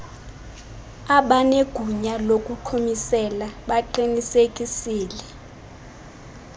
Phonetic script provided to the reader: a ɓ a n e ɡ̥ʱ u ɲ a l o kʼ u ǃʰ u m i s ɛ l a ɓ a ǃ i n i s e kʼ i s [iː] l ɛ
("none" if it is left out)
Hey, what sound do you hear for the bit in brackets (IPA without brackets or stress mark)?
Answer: iː